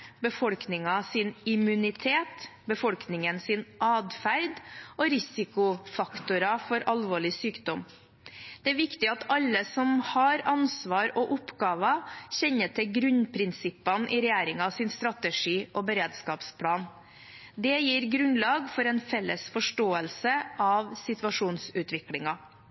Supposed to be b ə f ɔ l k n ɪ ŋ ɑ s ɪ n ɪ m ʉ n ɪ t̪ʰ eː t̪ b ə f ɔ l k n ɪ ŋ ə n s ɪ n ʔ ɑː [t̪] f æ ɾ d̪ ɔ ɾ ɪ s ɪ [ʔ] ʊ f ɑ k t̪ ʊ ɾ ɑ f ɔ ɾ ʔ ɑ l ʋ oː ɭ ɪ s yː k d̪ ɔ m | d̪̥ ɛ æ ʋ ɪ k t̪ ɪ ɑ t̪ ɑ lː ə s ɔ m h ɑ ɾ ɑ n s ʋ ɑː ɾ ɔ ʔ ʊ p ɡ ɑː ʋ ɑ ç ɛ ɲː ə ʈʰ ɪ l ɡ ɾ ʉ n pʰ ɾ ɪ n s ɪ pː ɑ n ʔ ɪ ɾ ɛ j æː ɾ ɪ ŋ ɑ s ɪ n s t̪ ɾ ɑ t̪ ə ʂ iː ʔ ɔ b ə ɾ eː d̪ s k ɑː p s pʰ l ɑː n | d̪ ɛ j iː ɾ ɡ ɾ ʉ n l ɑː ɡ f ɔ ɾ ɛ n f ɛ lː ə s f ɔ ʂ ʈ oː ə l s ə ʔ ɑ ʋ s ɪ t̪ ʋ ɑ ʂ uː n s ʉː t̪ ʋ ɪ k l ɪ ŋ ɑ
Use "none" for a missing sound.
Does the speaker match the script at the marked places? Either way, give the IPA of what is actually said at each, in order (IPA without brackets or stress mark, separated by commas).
d̪, k